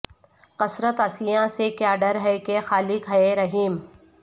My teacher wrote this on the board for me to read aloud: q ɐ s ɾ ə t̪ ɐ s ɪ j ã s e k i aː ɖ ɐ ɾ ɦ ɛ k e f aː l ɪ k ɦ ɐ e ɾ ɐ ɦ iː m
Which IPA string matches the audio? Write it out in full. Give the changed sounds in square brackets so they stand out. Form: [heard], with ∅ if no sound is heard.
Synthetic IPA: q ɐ s ɾ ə t̪ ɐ s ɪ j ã s e k [j] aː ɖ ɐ ɾ ɦ ɛ k e [x] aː l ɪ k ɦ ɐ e ɾ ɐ ɦ iː m

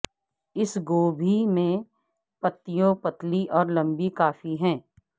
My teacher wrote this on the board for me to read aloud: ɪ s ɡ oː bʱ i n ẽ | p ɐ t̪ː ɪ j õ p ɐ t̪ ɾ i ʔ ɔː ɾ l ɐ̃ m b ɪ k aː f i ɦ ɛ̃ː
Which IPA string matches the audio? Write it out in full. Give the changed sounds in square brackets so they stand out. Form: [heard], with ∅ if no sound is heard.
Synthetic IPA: ɪ s ɡ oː bʱ i [m] ẽ | p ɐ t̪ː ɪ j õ p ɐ t̪ [l] i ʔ ɔː ɾ l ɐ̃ m b [i] k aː f i ɦ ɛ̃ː

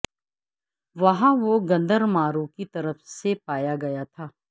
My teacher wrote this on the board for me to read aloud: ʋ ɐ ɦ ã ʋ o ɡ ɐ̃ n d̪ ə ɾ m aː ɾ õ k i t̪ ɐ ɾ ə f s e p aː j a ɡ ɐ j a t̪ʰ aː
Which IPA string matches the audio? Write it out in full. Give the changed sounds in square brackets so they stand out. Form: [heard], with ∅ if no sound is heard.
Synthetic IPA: ʋ ɐ ɦ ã ʋ o ɡ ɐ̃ n d̪ ə ɾ m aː ɾ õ k i t̪ ɐ ɾ ə f s e p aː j a ɡ ɐ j a t̪ʰ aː

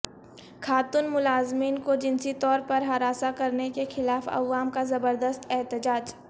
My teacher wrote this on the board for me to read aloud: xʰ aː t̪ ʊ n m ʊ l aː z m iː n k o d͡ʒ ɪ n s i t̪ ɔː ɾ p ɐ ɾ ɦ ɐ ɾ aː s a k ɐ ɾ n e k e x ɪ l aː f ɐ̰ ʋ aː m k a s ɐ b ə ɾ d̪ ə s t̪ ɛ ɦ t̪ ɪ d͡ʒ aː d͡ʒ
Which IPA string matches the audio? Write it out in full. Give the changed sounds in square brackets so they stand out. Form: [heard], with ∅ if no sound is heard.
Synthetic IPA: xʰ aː t̪ ʊ n m ʊ l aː z m iː n k o d͡ʒ ɪ n s i t̪ ɔː ɾ p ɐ ɾ ɦ ɐ ɾ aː s a k ɐ ɾ n e k e x ɪ l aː f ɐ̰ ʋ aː m k a [z] ɐ b ə ɾ d̪ ə s t̪ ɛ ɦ t̪ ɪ d͡ʒ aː d͡ʒ

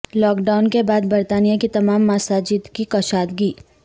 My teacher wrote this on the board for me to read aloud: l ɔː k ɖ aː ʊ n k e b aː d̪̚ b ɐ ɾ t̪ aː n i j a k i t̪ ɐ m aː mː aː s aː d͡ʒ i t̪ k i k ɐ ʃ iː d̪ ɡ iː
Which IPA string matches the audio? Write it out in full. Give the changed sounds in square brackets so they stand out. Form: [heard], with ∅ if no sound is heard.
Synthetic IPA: l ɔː k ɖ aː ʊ n k e b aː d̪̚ b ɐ ɾ t̪ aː n i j a k i t̪ ɐ m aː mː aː s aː d͡ʒ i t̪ k i k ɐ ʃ [aː] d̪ ɡ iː

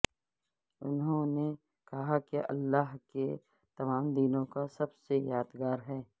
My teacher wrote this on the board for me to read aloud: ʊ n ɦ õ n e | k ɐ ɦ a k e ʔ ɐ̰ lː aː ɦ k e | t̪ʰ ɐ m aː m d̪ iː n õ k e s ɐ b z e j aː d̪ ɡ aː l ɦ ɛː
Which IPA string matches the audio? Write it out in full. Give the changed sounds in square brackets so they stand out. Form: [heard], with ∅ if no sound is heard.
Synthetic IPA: ʊ n ɦ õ n e | k ɐ ɦ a k e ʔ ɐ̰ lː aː ɦ k e | [t̪] ɐ m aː m d̪ iː n õ k [a] s ɐ b [s] e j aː d̪ ɡ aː [ɾ] ɦ ɛː

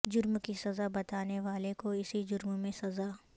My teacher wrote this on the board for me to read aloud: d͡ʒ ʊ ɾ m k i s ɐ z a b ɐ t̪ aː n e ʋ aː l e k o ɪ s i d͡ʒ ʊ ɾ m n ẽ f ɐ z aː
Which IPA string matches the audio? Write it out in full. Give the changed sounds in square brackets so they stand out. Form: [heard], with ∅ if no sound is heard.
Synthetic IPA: d͡ʒ ʊ ɾ m k i s ɐ z a b ɐ t̪ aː n e ʋ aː l e k o ɪ s i d͡ʒ ʊ ɾ m [m] ẽ [s] ɐ z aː

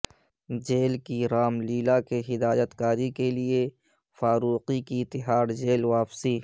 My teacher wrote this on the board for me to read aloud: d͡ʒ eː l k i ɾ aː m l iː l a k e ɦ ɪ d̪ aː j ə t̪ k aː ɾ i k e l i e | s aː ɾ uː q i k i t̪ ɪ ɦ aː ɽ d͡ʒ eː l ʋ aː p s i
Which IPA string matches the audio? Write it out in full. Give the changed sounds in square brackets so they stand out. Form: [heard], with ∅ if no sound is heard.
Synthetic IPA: d͡ʒ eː l k i ɾ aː m l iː l a k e ɦ ɪ d̪ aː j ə t̪ k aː ɾ i k e l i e | [f] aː ɾ uː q i k i t̪ ɪ ɦ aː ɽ d͡ʒ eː l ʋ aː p s i

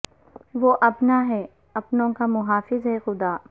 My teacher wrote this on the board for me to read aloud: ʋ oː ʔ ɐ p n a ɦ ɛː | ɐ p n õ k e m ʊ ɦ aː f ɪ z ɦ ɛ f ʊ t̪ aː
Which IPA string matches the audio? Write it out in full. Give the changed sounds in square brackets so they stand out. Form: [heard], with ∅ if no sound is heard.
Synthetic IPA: ʋ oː ʔ ɐ p n a ɦ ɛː | ɐ p n õ k [a] m ʊ ɦ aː f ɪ z ɦ ɛ [x] ʊ [d̪] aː

